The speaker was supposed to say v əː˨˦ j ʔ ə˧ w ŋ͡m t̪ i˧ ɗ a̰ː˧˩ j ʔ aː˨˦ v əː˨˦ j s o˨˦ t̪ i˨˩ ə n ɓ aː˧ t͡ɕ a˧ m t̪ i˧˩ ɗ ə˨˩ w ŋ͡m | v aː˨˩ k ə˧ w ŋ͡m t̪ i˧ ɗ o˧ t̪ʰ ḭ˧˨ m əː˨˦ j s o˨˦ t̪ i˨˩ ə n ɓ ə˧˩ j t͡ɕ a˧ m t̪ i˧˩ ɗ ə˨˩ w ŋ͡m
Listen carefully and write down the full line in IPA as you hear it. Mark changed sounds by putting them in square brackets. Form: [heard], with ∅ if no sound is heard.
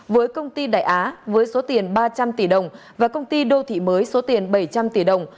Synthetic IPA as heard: v əː˨˦ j [k] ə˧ w ŋ͡m t̪ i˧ ɗ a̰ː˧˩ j ʔ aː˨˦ v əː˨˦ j s o˨˦ t̪ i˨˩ ə n ɓ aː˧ t͡ɕ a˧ m t̪ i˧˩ ɗ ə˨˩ w ŋ͡m | v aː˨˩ k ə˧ w ŋ͡m t̪ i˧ ɗ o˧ t̪ʰ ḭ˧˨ m əː˨˦ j s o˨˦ t̪ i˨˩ ə n ɓ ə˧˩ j t͡ɕ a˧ m t̪ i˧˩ ɗ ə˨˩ w ŋ͡m